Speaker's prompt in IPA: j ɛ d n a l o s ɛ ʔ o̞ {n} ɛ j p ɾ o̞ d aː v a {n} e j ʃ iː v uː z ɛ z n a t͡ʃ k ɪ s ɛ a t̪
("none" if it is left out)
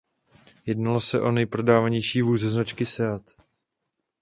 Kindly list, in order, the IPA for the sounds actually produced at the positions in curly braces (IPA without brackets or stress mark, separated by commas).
n, ɲ